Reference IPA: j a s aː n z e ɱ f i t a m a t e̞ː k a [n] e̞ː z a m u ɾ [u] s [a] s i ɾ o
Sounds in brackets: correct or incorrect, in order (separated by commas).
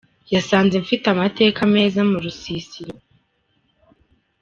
incorrect, correct, incorrect